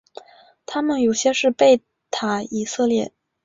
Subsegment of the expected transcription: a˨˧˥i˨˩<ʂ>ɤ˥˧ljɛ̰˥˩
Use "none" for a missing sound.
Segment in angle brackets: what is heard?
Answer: s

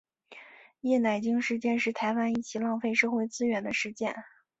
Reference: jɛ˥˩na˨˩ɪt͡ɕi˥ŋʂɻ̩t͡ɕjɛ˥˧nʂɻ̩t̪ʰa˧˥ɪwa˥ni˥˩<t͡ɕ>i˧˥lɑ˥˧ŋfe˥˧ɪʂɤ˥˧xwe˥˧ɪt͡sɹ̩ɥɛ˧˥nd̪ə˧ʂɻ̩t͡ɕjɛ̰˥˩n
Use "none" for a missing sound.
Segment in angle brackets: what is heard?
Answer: t͡ɕʰ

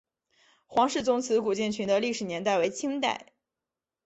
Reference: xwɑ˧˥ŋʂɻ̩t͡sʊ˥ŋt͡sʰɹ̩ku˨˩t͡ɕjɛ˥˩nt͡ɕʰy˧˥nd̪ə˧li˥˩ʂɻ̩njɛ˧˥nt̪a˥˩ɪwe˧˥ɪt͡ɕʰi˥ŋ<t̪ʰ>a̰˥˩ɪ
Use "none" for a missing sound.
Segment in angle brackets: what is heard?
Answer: t̪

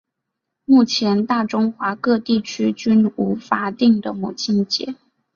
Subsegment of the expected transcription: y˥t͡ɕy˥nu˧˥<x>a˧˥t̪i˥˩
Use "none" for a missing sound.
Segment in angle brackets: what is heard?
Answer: f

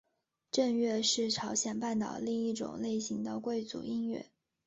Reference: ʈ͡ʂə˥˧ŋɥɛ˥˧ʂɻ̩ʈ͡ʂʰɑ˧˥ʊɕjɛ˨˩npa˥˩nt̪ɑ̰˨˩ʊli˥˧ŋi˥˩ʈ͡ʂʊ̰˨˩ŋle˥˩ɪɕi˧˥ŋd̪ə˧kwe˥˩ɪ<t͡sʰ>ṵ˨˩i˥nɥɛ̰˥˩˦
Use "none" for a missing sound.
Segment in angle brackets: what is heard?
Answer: t͡s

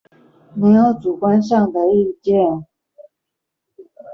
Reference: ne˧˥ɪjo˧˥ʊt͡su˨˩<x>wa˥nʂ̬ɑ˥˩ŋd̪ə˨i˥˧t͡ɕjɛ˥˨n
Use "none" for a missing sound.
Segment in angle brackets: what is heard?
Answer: k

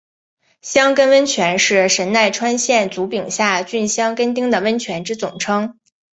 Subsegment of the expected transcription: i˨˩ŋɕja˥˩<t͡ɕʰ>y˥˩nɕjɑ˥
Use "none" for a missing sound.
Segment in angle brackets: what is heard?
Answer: t͡ɕ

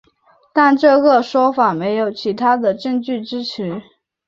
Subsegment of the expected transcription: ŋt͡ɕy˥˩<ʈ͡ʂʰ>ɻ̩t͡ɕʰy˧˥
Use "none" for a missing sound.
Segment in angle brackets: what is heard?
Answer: ʈ͡ʂ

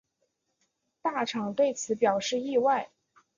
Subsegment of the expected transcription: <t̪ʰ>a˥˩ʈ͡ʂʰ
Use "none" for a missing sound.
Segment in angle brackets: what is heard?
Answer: t̪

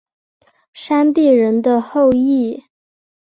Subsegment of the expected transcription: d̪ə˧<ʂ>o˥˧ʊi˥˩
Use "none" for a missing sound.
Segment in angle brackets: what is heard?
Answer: x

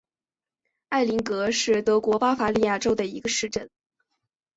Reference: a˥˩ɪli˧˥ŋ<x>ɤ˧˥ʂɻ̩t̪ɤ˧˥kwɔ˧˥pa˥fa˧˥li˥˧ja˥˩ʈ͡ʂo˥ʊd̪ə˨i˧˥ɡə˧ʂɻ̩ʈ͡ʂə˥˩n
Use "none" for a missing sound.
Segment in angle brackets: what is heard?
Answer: k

